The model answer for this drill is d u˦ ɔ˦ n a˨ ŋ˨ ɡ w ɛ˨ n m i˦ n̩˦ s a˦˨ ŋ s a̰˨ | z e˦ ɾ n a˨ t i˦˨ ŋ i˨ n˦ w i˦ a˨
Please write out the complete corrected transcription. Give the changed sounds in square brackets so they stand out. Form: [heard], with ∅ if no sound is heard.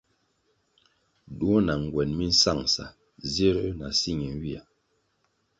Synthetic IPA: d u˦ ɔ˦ n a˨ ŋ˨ ɡ w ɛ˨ n m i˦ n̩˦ s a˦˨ ŋ s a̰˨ | z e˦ ɾ n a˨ [s] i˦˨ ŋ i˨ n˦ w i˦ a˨

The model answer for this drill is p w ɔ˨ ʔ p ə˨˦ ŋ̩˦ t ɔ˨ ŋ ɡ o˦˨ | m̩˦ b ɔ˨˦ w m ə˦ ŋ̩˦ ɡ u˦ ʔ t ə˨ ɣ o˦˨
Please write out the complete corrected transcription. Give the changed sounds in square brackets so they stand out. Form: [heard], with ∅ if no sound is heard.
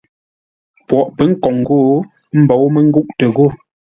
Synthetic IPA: p w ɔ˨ ʔ p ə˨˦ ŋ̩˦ [k] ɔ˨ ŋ ɡ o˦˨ | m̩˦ b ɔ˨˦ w m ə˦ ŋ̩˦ ɡ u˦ ʔ t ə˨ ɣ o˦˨

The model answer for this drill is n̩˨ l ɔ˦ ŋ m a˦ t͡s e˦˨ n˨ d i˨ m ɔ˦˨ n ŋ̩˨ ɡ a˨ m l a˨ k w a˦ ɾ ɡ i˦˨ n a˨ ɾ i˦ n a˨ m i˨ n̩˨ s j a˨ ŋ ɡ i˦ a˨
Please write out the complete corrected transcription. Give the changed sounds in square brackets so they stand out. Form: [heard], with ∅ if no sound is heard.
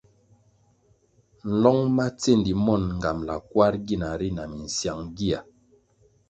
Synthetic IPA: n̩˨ l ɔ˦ ŋ m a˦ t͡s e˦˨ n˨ d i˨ m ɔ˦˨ n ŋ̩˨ ɡ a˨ m l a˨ k w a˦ ɾ ɡ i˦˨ n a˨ ɾ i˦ n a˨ m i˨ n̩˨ s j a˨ ŋ ɡ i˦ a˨

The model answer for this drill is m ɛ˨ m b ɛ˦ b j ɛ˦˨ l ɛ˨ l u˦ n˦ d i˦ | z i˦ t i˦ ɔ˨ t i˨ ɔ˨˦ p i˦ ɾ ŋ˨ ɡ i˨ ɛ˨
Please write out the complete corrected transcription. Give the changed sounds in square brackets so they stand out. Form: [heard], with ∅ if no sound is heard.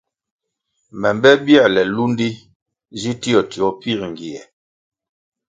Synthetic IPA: m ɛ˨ m b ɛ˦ b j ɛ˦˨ l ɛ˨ l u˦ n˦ d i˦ | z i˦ t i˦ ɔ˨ t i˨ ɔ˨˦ p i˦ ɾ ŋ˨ ɡ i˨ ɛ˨

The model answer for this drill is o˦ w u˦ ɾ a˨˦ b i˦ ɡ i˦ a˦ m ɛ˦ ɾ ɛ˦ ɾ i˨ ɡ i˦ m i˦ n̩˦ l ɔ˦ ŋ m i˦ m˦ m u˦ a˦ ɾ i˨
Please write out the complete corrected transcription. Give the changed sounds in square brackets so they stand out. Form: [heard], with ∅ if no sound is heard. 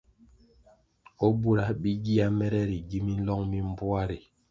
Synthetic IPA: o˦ [b] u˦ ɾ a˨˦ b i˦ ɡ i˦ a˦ m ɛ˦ ɾ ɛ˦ ɾ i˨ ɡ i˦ m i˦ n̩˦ l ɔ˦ ŋ m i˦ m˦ [b] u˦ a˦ ɾ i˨

